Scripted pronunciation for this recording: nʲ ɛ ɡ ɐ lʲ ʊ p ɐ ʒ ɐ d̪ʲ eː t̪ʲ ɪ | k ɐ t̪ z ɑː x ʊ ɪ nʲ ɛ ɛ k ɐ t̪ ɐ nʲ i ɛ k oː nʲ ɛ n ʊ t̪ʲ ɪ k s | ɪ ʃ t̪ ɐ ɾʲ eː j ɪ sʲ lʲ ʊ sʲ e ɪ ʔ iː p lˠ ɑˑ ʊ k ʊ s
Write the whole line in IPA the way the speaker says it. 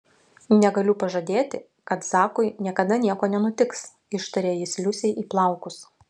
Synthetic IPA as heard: nʲ ɛ ɡ ɐ lʲ ʊ p ɐ ʒ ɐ d̪ʲ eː t̪ʲ ɪ | k ɐ t̪ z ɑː k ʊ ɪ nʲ i ɛ k ɐ d̪ ɐ nʲ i ɛ k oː nʲ ɛ n ʊ t̪ʲ ɪ k s | ɪ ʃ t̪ ɐ ɾʲ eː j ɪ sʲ lʲ ʊ sʲ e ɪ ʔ iː p lˠ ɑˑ ʊ k ʊ s

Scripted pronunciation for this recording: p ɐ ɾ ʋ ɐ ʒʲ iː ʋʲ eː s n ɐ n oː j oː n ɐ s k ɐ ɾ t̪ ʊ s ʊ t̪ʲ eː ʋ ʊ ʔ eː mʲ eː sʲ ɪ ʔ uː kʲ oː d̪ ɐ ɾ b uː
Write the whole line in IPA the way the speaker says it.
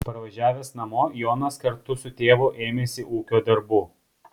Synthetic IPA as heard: p ɐ ɾ ʋ ɐ ʒʲ æː ʋʲ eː s n ɐ m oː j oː n ɐ s k ɐ ɾ t̪ ʊ s ʊ t̪ʲ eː ʋ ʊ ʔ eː mʲ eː sʲ ɪ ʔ uː kʲ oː d̪ ɐ ɾ b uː

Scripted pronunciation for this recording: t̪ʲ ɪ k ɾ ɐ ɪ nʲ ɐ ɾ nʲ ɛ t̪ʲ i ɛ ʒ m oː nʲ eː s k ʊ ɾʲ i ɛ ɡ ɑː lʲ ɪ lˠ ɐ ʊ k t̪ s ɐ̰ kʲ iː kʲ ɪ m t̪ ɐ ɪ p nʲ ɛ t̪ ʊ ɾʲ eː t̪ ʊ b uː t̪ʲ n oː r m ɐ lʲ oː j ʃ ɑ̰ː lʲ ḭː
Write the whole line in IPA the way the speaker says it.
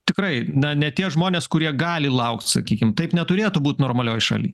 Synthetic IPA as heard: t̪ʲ ɪ k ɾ ɐ ɪ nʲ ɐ nʲ ɛ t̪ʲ i ɛ ʒ m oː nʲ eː s k ʊ ɾʲ i ɛ ɡ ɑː lʲ ɪ lˠ ɐ ʊ k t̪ s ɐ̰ kʲ iː kʲ ɪ m t̪ ɐ ɪ p nʲ ɛ t̪ ʊ ɾʲ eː t̪ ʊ b uː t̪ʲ n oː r m ɐ lʲ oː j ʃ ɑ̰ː lʲ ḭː

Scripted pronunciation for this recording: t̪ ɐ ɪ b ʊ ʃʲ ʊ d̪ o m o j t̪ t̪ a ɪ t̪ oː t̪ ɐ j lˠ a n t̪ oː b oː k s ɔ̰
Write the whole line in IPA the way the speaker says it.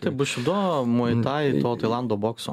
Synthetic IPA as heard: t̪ ɐ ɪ b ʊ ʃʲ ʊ d̪ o m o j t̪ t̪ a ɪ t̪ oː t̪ ɐ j lˠ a n d̪ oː b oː k s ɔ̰

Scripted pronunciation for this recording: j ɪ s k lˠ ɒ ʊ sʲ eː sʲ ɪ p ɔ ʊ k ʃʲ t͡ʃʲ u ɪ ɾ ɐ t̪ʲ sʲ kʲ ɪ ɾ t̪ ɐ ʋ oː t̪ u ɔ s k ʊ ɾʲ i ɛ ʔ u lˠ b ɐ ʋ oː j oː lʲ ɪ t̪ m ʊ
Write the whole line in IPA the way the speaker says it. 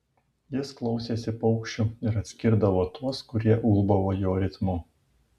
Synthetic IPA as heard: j ɪ s k lˠ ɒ ʊ sʲ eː sʲ ɪ p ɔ ʊ k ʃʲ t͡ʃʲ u ɪ ɾ ɐ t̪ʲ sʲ kʲ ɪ ɾ d̪ ɐ ʋ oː t̪ u ɔ s k ʊ ɾʲ i ɛ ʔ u lˠ b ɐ ʋ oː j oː ɾʲ ɪ t̪ m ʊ

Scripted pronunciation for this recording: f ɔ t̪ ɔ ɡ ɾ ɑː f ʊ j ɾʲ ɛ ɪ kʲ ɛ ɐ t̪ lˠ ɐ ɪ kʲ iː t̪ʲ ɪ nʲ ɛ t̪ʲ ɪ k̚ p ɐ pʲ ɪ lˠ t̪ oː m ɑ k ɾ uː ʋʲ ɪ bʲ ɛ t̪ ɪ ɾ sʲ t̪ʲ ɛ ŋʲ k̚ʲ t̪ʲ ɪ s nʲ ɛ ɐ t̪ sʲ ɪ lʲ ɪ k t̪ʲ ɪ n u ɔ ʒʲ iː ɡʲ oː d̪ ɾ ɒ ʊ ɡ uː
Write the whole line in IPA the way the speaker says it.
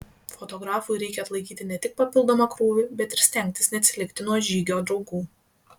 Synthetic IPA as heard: f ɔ t̪ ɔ ɡ ɾ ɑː f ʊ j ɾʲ ɛ ɪ kʲ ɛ ɐ t̪ lˠ ɐ ɪ kʲ iː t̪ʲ ɪ nʲ ɛ t̪ʲ ɪ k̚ p ɐ pʲ ɪ lˠ d̪ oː m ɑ k ɾ uː ʋʲ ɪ bʲ ɛ t̪ ɪ ɾ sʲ t̪ʲ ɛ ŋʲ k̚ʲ t̪ʲ ɪ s nʲ ɛ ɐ t̪ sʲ ɪ lʲ ɪ k t̪ʲ ɪ n u ɔ ʒʲ iː ɡʲ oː d̪ ɾ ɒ ʊ ɡ uː

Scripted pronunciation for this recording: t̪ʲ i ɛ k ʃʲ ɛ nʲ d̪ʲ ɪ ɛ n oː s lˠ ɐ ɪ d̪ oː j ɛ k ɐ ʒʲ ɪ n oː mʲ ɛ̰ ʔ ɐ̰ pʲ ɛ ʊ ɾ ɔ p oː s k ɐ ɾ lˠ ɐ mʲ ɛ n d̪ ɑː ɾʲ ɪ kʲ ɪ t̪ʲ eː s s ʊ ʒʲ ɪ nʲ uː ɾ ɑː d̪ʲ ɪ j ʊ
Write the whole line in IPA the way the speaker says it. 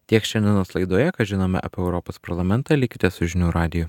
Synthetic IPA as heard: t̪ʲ i ɛ k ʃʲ ɛ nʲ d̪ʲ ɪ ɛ n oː s lˠ ɐ ɪ d̪ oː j ɛ k ɐ ʒʲ ɪ n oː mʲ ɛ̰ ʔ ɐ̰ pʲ ɛ ʊ ɾ ɔ p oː s p ɐ ɾ lˠ ɐ mʲ ɛ n t̪ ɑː lʲ ɪ kʲ ɪ t̪ʲ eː s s ʊ ʒʲ ɪ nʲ uː ɾ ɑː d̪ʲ ɪ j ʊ

